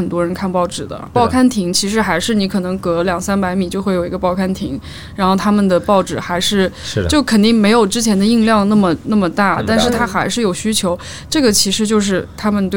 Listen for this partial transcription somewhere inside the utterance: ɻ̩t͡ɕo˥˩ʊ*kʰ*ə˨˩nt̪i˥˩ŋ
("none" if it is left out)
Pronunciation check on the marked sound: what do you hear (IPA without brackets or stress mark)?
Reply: kʰ